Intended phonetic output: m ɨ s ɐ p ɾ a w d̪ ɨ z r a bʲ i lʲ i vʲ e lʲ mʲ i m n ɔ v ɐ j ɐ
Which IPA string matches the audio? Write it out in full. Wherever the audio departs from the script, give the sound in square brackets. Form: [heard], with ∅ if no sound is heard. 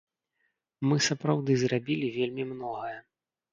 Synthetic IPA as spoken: m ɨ s ɐ p ɾ a w d̪ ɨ z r a bʲ i lʲ i vʲ e lʲ mʲ i m n ɔ [ɣ] ɐ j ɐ